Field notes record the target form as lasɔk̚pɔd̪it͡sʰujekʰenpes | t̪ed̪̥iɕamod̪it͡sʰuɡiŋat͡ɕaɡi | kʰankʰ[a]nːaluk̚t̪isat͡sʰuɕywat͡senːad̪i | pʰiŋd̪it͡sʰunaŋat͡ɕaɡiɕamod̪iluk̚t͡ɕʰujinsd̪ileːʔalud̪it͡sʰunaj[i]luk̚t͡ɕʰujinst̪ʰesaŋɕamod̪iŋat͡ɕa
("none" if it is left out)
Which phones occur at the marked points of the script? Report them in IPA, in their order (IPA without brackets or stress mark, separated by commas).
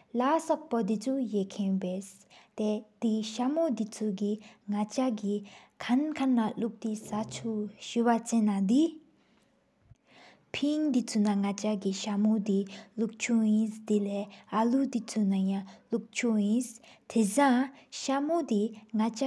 a, a